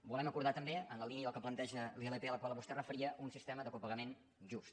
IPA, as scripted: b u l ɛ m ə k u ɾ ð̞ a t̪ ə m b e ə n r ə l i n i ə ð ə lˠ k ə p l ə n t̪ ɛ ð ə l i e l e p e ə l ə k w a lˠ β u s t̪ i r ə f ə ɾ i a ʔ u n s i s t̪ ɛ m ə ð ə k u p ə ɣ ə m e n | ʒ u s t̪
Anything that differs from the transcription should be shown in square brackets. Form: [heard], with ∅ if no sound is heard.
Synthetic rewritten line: b u l ɛ m ə k u ɾ ð̞ a t̪ ə m b e ə n [l] ə l i n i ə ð ə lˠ k ə p l ə n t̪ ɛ [ʒ] ə l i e l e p e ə l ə k w a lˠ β u s t̪ [ɛ] r ə f ə ɾ i [ə] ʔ u n s i s t̪ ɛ m ə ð ə k u p ə ɣ ə m e n | ʒ u s t̪